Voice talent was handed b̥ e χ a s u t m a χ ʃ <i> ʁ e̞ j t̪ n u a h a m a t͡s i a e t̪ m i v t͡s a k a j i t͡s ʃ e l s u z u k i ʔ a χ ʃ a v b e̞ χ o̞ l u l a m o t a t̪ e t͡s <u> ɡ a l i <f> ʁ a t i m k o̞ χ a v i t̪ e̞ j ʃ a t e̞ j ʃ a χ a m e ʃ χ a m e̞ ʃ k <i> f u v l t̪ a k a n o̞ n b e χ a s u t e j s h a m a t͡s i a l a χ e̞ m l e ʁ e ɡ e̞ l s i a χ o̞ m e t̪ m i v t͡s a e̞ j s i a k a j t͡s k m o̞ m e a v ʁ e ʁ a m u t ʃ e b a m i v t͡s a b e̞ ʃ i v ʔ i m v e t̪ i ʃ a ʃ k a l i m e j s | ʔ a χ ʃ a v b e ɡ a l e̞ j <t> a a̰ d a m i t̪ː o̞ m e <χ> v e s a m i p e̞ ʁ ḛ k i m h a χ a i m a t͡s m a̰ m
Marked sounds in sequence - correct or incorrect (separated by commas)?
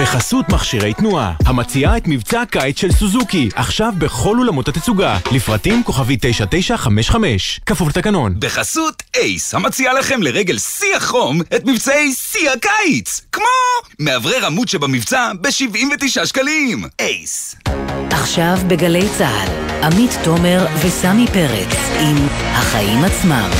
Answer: correct, correct, correct, incorrect, incorrect, incorrect